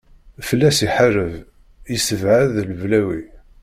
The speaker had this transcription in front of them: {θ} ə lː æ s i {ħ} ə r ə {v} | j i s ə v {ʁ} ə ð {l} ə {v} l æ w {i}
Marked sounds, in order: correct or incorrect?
incorrect: f, correct, correct, incorrect: ʕ, correct, correct, correct

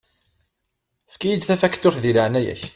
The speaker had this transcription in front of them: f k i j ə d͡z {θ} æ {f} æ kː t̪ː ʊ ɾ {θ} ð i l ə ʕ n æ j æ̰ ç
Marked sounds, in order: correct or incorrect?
correct, correct, correct

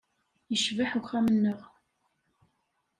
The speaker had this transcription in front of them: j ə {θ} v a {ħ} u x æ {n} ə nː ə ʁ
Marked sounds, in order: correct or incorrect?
incorrect: ʃ, correct, incorrect: m

